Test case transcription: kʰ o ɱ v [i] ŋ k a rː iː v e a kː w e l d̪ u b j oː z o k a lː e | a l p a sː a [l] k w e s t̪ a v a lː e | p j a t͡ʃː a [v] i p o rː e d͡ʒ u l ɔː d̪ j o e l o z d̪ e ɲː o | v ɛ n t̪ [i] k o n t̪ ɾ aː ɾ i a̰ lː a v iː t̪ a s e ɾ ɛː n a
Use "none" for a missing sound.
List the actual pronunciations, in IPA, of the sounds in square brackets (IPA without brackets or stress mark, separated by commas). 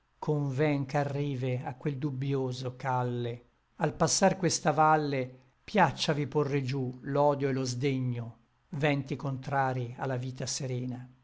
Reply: ɛ, r, v, i